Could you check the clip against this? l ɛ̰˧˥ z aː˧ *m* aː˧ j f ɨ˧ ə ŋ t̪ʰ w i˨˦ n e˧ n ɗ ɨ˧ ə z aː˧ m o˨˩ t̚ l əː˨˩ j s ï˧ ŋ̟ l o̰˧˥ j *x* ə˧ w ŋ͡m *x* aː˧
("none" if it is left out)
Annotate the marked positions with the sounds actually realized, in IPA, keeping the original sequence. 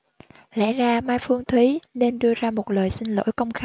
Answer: m, k, x

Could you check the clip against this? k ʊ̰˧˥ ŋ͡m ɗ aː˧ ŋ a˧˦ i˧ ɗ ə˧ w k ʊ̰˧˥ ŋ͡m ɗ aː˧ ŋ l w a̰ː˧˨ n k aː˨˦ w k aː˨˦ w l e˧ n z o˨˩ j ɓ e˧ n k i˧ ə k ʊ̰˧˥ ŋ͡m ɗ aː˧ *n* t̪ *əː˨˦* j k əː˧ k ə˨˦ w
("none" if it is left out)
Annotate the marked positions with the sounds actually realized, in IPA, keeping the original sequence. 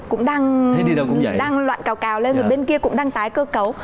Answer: ŋ, aː˨˦

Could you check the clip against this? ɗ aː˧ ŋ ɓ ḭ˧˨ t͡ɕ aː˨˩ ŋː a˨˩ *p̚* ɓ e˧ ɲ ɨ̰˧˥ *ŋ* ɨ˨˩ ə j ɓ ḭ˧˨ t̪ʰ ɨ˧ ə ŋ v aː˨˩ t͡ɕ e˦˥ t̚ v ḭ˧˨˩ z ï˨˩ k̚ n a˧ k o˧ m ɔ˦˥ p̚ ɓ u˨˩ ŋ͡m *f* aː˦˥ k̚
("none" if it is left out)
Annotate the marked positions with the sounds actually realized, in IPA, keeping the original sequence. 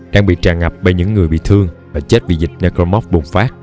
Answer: p̚, ŋː, f

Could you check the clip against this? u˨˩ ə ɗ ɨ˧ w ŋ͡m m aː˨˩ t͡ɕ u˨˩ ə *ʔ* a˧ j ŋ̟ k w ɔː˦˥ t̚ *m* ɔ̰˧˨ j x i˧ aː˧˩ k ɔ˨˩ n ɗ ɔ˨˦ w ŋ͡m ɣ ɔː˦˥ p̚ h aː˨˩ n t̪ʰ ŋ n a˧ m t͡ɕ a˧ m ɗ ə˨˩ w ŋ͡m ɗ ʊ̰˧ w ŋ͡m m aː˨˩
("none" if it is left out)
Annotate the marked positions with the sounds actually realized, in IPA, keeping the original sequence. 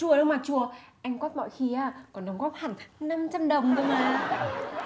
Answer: ʔ, m

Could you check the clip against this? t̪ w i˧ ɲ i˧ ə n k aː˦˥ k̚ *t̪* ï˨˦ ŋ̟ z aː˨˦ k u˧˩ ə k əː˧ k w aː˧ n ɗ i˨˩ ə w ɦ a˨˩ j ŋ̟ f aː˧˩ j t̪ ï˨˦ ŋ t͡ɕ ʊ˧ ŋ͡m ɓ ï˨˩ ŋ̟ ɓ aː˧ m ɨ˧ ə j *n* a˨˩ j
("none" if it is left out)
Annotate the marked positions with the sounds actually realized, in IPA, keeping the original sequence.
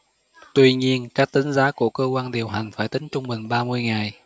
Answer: t̪, ŋ

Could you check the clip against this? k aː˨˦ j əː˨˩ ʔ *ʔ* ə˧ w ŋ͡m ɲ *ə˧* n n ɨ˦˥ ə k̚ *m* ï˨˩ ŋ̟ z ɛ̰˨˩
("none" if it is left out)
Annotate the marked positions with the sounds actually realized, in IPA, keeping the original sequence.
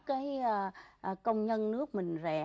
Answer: k, ə˧, m

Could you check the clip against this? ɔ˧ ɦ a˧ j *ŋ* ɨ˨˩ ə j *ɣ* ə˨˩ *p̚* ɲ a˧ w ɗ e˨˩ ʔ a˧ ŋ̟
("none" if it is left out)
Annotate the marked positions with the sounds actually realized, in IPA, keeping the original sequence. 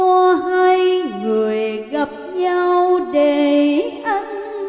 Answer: ŋ, ɣ, p̚

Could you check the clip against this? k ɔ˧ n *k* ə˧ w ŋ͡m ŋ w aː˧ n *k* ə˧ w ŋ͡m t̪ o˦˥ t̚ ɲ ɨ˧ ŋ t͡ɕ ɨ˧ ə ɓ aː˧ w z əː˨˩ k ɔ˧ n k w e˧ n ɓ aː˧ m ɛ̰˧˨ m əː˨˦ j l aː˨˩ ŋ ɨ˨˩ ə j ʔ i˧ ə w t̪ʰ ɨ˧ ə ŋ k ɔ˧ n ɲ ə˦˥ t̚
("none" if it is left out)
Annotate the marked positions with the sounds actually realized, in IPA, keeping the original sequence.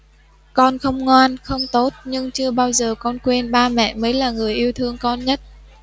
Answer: x, x

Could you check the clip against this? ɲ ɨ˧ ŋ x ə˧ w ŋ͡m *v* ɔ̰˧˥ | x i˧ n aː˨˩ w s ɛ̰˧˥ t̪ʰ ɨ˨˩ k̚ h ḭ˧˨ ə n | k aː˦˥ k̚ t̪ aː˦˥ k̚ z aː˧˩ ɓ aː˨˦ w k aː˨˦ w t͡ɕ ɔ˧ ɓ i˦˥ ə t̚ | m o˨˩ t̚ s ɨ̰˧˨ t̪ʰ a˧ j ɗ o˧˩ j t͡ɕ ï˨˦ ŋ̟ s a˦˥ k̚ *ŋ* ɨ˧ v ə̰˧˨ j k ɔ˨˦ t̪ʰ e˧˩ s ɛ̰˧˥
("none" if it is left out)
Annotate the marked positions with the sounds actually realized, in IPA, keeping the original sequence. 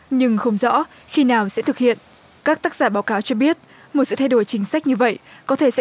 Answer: z, ɲ

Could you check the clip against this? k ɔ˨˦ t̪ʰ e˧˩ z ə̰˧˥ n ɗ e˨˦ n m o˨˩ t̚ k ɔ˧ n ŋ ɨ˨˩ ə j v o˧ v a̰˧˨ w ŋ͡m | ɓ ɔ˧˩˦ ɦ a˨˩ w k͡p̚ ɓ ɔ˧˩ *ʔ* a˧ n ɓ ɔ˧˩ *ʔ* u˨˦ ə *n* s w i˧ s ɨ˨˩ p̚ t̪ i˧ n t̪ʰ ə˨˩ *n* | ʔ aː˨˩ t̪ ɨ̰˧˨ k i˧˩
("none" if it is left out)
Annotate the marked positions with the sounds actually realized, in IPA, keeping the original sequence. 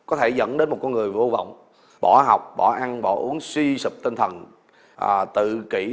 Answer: ʔ, ʔ, ŋ, n

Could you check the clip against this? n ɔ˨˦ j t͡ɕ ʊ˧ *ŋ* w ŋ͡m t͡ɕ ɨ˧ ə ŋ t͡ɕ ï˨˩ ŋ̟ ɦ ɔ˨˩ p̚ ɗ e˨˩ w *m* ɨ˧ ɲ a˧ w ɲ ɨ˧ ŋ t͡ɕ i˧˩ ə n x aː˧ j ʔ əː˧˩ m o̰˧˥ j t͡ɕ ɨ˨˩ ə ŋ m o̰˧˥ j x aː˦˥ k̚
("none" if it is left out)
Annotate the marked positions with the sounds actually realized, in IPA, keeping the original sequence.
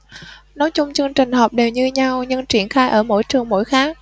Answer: none, ɲ

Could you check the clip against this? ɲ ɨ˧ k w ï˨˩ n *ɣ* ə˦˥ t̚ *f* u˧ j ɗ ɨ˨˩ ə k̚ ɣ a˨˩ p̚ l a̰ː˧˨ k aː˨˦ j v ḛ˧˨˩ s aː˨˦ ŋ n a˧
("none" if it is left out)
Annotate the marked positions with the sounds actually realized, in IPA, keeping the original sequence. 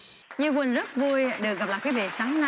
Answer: z, v

